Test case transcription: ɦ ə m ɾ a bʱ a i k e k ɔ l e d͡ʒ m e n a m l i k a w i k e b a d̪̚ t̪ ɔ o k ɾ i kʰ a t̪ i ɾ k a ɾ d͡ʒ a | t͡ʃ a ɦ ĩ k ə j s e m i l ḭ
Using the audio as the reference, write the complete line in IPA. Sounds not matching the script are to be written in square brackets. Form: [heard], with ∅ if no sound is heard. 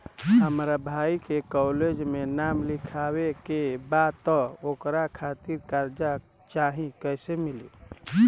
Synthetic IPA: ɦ ə m ɾ a bʱ a i k e k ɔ l e d͡ʒ m e n a m l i [kʰ] a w [e] k e b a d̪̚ t̪ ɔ o k ɾ [a] kʰ a t̪ i ɾ k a ɾ d͡ʒ a | t͡ʃ a ɦ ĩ k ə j s e m i l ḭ